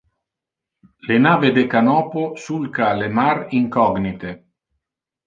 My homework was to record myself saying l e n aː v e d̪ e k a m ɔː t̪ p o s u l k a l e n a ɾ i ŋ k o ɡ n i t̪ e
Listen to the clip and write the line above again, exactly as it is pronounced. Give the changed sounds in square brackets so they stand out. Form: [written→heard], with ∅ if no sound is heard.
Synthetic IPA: l e n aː v e d̪ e k a [m→n] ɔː [t̪→∅] p o s u l k a l e [n→m] a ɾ i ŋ k [o→ɔ] ɡ n i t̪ e